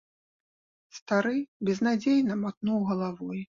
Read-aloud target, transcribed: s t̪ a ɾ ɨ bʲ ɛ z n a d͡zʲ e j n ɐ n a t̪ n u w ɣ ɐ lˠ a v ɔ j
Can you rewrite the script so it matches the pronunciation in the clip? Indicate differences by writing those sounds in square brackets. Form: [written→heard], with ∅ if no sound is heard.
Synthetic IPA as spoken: s t̪ a ɾ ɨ bʲ ɛ z n a d͡zʲ e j n ɐ [n→m] a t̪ n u w ɣ ɐ lˠ a v ɔ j